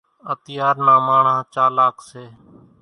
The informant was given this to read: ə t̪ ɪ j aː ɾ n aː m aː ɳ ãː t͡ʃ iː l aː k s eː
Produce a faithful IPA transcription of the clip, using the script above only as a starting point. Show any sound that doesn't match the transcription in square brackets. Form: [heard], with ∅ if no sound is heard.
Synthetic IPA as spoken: ə t̪ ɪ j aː ɾ n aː m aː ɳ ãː t͡ʃ [aː] l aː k s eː